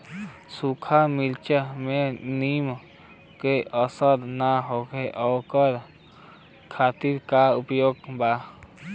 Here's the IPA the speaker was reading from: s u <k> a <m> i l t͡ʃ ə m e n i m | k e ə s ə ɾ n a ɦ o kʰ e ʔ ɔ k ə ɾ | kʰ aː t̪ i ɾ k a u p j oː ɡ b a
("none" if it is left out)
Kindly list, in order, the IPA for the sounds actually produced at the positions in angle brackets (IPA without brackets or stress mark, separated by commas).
kʰ, m